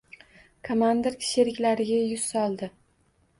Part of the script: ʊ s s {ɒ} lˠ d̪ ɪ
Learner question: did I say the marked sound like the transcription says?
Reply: yes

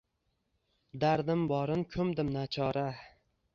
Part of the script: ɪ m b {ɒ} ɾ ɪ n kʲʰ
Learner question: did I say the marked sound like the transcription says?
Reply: yes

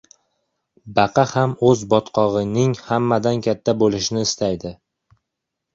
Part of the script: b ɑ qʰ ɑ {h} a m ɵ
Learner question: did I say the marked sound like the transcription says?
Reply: yes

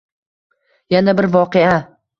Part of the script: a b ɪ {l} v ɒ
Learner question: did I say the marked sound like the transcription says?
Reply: no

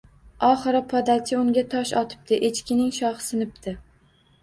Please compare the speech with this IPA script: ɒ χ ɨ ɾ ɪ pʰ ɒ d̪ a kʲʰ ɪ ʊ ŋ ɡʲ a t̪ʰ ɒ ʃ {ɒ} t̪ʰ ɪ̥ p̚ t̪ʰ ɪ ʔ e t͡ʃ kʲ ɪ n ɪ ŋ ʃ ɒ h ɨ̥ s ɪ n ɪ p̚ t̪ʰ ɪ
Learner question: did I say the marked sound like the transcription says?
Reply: yes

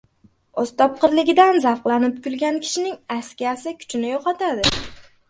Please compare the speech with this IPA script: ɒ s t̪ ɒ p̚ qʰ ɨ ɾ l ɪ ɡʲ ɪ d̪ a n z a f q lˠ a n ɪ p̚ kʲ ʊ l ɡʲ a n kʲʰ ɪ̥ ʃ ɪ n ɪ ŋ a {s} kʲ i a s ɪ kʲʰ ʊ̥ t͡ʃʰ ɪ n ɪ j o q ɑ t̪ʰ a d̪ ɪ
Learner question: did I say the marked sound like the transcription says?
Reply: yes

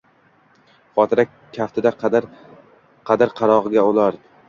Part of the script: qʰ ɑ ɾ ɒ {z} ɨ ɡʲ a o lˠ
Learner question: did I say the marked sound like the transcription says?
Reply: no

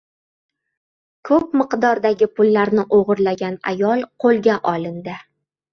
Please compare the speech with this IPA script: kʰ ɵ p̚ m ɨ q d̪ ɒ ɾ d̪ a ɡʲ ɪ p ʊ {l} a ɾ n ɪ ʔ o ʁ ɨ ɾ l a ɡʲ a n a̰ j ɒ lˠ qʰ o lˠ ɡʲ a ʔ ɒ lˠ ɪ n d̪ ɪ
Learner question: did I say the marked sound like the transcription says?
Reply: no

